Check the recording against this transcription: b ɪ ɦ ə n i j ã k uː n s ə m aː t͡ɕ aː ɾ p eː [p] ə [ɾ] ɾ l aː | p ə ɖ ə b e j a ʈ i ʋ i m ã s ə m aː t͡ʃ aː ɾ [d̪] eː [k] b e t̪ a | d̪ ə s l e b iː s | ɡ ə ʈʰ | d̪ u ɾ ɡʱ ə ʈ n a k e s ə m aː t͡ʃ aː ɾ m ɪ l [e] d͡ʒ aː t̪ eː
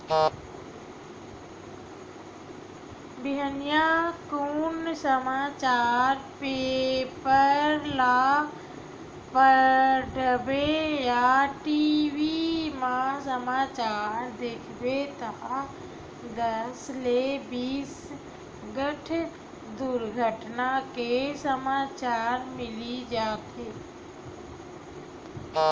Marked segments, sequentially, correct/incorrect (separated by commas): correct, correct, correct, incorrect, incorrect